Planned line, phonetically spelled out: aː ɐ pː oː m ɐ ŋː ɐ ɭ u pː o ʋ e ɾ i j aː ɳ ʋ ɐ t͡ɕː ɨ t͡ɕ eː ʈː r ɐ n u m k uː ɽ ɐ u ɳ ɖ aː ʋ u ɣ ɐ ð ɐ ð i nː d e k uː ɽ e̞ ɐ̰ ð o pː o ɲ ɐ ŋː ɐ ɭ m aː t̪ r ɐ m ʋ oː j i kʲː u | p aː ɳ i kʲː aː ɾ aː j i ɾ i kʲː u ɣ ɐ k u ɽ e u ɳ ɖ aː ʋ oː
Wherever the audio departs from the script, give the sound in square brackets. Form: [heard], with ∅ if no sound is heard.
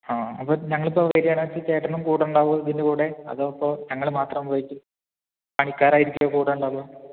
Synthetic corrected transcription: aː ɐ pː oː [ɲ] ɐ ŋː ɐ ɭ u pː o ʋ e ɾ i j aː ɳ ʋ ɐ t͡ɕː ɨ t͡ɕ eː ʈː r ɐ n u m k uː ɽ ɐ u ɳ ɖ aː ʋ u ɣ ɐ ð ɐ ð i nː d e k uː ɽ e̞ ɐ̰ ð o pː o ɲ ɐ ŋː ɐ ɭ m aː t̪ r ɐ m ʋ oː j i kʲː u | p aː ɳ i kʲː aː ɾ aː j i ɾ i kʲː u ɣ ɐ k [uː] ɽ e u ɳ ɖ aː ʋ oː